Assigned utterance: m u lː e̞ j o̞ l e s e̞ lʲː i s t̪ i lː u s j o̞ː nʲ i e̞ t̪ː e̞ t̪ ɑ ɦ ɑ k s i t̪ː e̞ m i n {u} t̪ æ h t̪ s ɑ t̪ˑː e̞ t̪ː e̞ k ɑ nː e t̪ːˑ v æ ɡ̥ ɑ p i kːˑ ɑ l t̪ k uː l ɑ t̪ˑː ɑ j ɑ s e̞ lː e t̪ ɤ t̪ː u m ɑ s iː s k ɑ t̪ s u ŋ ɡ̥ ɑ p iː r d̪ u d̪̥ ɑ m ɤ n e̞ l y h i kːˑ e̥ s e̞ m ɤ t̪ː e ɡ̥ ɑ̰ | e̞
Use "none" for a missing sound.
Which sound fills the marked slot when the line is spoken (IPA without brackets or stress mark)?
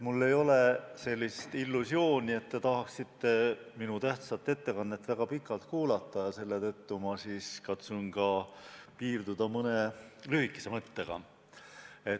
u